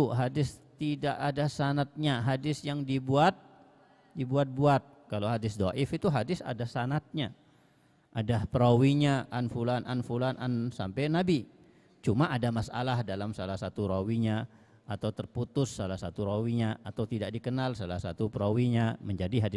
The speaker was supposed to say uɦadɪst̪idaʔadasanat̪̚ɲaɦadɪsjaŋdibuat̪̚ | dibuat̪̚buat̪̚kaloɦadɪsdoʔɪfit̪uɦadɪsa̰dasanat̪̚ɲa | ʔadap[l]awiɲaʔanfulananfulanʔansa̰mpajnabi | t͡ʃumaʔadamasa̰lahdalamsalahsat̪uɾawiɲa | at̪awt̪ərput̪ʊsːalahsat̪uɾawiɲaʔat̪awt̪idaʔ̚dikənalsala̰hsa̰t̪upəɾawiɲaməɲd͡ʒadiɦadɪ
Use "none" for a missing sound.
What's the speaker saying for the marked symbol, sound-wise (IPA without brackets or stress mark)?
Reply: ɾ